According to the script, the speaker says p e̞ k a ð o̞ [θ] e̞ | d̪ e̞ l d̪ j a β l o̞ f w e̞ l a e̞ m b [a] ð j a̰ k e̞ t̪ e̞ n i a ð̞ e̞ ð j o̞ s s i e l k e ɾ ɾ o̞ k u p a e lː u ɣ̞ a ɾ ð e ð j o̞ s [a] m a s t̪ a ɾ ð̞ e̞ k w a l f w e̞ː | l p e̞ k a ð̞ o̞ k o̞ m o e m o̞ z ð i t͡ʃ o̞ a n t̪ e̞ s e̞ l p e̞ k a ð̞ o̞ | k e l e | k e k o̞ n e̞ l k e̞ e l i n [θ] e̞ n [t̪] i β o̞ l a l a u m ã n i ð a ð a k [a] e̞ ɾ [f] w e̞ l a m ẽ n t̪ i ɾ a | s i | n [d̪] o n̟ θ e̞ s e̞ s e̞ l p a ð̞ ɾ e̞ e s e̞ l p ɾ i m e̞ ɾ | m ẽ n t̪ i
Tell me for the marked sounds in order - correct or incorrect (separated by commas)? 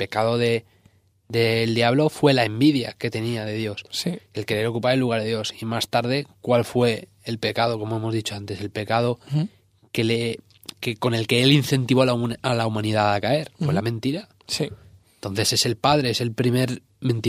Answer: incorrect, incorrect, incorrect, correct, correct, correct, correct, incorrect